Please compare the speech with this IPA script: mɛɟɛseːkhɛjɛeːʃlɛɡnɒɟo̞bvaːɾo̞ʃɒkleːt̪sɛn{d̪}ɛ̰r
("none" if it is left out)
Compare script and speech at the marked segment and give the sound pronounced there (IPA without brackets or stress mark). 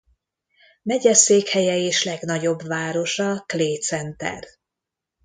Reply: t̪